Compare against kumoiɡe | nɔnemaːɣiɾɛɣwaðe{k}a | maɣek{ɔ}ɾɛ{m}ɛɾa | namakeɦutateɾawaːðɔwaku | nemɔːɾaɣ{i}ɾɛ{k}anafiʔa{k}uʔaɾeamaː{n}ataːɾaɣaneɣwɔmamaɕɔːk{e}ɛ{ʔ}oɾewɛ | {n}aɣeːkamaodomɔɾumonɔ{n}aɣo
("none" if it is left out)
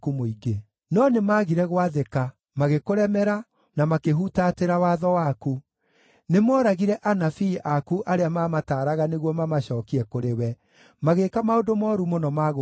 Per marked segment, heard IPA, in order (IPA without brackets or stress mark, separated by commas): k, o, m, i, ʔ, k, m, i, k, m, m